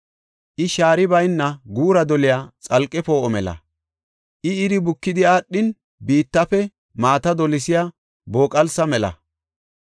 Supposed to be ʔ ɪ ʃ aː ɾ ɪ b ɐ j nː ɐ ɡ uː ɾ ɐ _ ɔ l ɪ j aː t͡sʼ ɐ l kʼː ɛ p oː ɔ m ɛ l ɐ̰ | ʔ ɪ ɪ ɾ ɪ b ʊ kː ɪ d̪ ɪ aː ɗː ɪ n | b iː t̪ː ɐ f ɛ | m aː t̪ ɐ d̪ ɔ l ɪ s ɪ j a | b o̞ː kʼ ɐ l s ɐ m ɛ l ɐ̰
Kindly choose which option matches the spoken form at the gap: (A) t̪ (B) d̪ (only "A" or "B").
B